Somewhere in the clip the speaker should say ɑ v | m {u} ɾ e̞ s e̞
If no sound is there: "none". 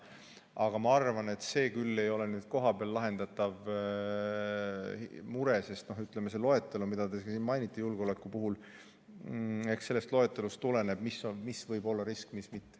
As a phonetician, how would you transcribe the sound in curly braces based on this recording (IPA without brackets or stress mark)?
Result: u